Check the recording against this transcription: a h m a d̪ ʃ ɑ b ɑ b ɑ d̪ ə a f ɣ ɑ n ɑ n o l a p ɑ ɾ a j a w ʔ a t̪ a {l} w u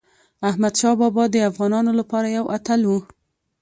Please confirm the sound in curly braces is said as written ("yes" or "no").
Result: yes